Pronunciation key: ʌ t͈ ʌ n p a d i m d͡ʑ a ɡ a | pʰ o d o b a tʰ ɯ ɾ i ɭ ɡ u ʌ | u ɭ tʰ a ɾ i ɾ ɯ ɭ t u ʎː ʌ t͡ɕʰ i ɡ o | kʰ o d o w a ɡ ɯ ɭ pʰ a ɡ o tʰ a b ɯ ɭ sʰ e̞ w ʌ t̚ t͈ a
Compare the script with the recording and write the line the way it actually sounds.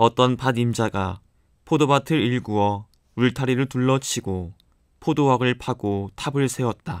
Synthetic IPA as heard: ʌ t͈ ʌ n p a d i m d͡ʑ a ɡ a | pʰ o d o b a tʰ ɯ ɾ i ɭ ɡ u ʌ | u ɭ tʰ a ɾ i ɾ ɯ ɭ t u ɭː ʌ t͡ɕʰ i ɡ o | pʰ o d o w a ɡ ɯ ɭ pʰ a ɡ o tʰ a b ɯ ɭ sʰ e̞ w ʌ t̚ t͈ a